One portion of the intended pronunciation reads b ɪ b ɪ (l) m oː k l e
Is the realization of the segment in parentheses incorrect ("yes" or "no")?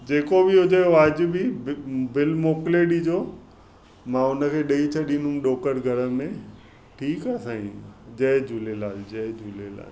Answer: no